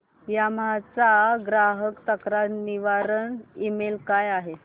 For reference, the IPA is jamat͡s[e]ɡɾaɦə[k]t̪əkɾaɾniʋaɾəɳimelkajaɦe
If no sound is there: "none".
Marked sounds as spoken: a, k

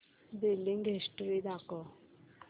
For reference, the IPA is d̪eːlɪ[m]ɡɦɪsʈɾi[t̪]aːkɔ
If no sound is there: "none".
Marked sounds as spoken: ŋ, d̪

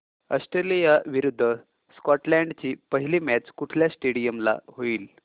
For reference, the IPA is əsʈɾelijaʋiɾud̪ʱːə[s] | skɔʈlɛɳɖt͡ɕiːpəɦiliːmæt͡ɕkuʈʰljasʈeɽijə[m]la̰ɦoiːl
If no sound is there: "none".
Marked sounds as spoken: none, m

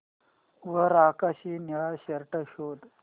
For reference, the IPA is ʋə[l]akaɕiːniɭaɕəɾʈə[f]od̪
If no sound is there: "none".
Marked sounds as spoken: ɾ, ɕ

